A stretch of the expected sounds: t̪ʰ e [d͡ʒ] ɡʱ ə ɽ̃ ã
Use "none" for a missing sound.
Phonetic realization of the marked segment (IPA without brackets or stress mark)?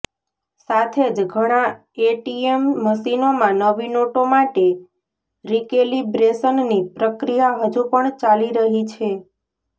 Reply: d͡ʒ